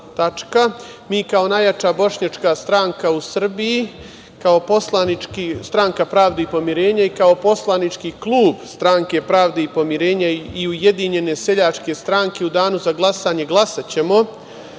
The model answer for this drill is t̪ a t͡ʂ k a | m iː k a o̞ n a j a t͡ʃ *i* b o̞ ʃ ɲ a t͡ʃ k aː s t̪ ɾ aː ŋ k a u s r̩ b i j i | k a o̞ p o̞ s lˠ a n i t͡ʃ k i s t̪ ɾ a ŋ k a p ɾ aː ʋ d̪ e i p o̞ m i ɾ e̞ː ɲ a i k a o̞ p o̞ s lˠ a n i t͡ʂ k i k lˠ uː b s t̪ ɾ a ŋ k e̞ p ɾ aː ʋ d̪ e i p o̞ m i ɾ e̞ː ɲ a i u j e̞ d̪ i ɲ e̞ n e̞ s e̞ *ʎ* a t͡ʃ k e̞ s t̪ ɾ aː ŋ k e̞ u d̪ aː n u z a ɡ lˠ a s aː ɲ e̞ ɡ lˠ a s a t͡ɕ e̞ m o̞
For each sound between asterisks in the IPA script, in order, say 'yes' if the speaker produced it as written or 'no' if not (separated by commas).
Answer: no, yes